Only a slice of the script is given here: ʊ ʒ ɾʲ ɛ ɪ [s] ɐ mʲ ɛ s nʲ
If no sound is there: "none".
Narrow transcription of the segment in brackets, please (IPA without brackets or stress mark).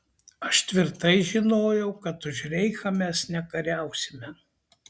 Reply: x